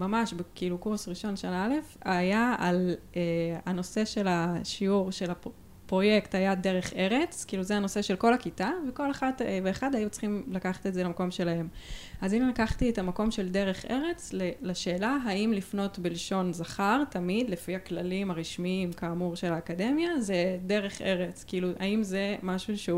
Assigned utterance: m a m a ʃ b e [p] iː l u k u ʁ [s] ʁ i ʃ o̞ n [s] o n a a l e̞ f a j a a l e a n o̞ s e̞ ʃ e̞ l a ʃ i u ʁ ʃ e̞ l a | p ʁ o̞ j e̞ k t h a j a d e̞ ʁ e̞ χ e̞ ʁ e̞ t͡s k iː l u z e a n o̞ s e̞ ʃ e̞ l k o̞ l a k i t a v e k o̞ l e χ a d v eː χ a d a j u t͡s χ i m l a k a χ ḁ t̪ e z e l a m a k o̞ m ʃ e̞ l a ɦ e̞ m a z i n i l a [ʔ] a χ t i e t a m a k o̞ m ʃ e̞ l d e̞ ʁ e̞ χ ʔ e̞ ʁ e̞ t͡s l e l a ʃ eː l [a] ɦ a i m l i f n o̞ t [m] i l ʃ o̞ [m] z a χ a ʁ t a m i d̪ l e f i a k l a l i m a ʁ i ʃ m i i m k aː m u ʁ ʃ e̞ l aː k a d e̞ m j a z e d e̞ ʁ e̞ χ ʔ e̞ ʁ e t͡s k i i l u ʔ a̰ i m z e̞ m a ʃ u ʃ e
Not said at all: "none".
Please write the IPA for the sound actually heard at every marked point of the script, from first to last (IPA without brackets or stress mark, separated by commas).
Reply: k, s, ʃ, k, a, b, n